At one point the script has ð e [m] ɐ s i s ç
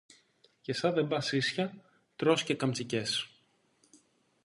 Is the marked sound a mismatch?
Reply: yes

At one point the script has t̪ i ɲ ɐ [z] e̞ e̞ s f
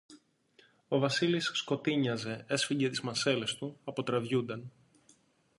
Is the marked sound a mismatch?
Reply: no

